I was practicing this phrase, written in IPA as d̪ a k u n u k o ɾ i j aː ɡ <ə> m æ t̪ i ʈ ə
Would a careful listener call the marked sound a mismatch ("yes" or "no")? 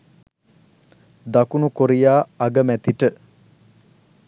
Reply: no